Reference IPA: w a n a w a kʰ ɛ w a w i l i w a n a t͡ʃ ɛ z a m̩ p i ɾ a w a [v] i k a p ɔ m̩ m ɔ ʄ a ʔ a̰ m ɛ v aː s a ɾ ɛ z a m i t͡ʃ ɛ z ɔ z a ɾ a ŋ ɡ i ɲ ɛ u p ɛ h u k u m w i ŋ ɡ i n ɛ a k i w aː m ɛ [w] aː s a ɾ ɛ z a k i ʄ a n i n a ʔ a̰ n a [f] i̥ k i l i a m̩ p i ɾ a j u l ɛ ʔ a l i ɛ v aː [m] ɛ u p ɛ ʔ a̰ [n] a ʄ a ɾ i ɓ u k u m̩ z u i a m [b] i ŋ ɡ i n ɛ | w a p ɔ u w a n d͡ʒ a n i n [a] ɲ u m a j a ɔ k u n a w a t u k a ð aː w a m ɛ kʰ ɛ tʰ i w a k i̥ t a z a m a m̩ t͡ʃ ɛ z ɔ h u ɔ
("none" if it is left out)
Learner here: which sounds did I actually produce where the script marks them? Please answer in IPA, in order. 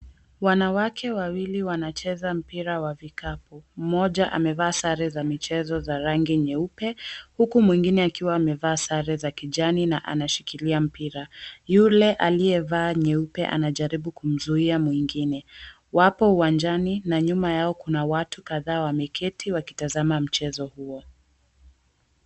v, v, ʃ, ɲ, n, w, a

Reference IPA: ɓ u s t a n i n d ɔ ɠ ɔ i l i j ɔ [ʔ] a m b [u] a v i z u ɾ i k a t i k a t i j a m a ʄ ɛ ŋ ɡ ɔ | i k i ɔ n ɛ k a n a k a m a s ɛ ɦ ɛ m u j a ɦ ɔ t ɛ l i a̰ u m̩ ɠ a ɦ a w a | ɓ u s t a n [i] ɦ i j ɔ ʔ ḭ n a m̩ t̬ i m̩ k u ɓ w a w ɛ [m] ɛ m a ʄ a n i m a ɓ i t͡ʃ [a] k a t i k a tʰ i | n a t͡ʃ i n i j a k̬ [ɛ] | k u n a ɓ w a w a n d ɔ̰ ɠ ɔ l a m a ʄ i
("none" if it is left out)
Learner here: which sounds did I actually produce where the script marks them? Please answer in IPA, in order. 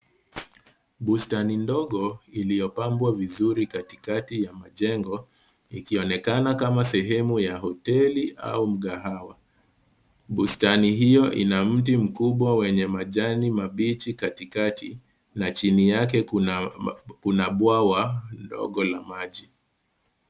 p, w, i, ɲ, i, ɛ

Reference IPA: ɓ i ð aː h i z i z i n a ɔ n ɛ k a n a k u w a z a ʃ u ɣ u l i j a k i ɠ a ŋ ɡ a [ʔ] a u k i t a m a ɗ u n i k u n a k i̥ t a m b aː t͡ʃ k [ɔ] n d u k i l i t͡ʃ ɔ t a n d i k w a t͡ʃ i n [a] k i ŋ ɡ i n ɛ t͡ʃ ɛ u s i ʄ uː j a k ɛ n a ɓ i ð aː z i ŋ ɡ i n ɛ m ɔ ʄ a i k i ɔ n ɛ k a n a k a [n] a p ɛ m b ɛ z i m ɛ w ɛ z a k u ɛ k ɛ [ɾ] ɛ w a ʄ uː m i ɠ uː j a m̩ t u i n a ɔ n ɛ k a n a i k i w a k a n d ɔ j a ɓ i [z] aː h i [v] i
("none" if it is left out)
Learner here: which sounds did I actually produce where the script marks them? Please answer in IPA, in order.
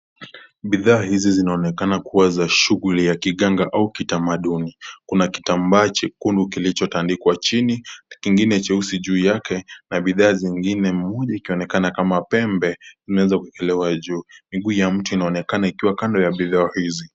ʔ, u, i, m, l, ð, z

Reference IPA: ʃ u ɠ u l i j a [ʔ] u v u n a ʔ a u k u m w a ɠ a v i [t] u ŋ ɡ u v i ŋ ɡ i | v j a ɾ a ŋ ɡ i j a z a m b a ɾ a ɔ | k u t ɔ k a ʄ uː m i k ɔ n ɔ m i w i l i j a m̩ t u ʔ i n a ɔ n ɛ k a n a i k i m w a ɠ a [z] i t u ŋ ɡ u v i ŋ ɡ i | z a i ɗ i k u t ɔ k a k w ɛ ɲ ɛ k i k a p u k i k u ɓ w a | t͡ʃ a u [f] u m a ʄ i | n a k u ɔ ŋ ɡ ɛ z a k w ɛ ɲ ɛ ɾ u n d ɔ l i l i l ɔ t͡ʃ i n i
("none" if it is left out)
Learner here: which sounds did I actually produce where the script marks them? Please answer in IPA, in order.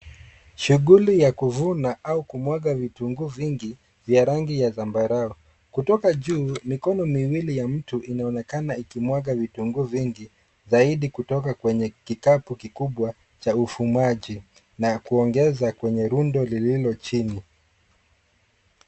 k, t, v, f

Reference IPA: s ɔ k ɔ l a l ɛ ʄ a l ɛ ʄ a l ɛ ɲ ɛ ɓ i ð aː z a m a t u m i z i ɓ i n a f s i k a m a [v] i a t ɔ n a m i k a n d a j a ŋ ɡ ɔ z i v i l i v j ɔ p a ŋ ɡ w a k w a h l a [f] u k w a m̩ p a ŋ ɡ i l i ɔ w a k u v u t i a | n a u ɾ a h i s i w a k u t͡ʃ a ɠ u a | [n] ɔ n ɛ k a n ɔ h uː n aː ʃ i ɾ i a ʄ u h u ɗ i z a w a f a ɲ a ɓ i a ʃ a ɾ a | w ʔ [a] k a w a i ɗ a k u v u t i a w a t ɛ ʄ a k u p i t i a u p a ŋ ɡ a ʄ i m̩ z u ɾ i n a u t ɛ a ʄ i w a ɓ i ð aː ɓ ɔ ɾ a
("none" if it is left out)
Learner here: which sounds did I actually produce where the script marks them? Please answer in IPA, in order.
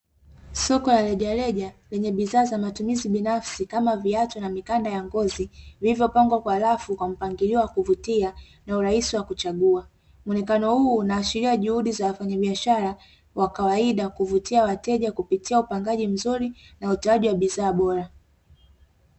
v, f, m, a

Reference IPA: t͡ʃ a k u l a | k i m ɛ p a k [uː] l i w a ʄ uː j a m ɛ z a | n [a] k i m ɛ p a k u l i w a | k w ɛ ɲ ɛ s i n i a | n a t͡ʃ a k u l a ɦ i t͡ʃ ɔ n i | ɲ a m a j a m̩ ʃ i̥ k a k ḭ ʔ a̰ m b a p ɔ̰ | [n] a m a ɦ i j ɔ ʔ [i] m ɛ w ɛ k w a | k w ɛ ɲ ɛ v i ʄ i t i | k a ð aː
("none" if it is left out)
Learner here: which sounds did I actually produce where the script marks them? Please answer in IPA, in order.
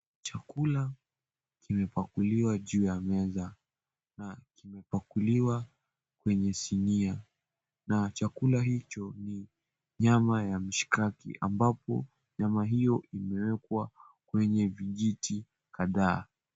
u, a, ɲ, i

